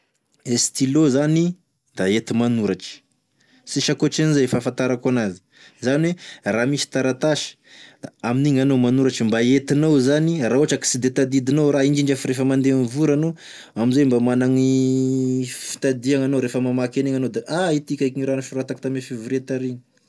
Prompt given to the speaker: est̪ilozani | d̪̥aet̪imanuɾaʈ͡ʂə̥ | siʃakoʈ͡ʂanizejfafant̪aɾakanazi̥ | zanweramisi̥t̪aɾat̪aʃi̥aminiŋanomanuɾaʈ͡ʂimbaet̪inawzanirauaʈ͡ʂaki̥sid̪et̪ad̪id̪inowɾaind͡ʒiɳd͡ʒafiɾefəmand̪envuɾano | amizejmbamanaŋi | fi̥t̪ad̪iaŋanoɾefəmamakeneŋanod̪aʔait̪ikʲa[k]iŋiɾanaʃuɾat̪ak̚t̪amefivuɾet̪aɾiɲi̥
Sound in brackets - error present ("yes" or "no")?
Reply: no